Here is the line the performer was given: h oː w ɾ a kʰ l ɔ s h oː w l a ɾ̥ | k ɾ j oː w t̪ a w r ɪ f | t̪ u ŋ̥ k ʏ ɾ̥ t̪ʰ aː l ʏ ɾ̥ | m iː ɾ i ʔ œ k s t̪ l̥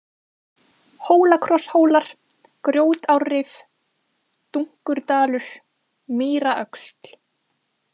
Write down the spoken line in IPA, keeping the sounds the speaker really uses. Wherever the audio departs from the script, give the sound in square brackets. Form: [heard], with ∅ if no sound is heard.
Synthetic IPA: h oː w [l] a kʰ [ɾ] ɔ s h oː w l a ɾ̥ | k ɾ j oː w t̪ a w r ɪ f | t̪ u ŋ̥ k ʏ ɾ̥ [t̪] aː l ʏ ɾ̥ | m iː ɾ [a] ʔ œ k s t̪ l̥